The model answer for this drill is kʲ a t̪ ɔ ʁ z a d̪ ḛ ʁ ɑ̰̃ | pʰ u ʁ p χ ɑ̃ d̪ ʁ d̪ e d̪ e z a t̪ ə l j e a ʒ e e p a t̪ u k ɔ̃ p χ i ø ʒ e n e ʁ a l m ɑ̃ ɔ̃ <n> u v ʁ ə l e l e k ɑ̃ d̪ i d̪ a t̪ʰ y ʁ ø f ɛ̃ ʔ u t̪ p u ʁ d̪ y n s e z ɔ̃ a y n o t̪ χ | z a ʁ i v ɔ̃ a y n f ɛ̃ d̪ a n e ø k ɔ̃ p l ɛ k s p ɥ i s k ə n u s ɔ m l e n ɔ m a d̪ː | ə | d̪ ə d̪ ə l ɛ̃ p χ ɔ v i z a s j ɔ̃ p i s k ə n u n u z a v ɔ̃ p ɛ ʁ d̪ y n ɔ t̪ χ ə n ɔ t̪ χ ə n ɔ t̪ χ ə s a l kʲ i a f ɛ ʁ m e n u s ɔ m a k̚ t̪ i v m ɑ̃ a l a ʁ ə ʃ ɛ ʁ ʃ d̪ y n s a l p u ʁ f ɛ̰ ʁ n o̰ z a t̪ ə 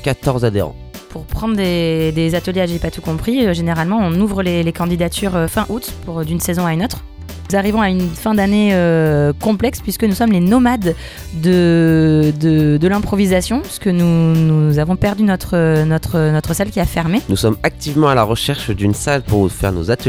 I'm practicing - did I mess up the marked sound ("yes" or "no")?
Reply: no